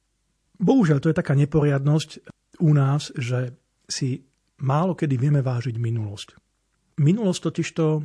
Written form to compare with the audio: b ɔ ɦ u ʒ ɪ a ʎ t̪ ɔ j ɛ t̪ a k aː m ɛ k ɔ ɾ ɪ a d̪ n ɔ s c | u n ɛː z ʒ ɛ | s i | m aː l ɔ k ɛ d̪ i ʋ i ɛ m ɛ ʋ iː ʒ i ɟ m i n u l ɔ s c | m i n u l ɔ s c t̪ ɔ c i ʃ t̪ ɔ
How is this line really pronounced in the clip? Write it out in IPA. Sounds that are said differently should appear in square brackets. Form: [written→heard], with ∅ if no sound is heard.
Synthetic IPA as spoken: b ɔ ɦ u ʒ ɪ a ʎ t̪ ɔ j ɛ t̪ a k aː [m→ɲ] ɛ [k→p] ɔ ɾ ɪ a d̪ n ɔ s c | u n [ɛː→aː] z ʒ ɛ | s i | m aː l ɔ k ɛ d̪ i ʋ [i→ɪ] ɛ m ɛ ʋ [iː→aː] ʒ i ɟ m i n u l ɔ s c | m i n u l ɔ s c t̪ ɔ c i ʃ t̪ ɔ